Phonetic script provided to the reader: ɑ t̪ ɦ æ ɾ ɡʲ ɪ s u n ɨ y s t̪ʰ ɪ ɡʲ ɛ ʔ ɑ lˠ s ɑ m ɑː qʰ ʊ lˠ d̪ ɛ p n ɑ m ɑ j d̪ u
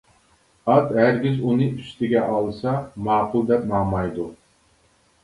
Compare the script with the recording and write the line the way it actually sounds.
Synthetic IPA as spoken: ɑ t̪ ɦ æ ɾ ɡʲ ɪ z u n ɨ y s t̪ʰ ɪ ɡʲ ɛ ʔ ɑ lˠ s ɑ m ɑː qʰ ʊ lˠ d̪ ɛ p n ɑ m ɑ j d̪ u